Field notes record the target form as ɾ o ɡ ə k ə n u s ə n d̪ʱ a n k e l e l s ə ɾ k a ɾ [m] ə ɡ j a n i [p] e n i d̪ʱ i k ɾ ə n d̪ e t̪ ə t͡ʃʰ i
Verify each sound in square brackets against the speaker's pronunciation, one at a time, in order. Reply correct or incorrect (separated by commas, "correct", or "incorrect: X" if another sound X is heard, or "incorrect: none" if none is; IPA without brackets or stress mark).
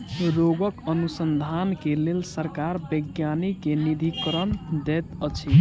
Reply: incorrect: b, incorrect: k